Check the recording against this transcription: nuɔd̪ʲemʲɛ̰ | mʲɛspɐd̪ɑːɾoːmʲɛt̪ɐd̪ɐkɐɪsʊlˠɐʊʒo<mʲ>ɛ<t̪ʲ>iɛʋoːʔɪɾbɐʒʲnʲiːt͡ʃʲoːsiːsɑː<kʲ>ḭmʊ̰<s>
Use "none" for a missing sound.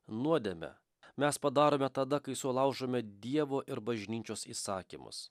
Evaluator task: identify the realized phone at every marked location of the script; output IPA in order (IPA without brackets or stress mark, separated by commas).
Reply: mʲ, d̪ʲ, kʲ, s